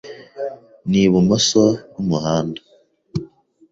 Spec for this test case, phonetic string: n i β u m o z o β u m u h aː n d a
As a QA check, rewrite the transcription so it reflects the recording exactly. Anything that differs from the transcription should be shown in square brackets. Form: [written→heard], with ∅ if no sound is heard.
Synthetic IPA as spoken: n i β u m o [z→s] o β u m u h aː n d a